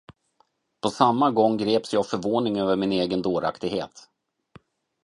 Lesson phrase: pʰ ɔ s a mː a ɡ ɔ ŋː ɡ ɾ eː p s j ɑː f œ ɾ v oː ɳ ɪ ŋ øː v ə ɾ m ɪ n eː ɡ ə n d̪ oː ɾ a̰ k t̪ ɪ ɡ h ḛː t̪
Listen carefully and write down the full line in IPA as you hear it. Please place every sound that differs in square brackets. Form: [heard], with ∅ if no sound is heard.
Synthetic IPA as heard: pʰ ɔ s a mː a ɡ ɔ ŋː ɡ ɾ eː p s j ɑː f œ ɾ v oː [n] ɪ ŋ øː v ə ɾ m ɪ n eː ɡ ə n d̪ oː ɾ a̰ k t̪ ɪ ɡ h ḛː t̪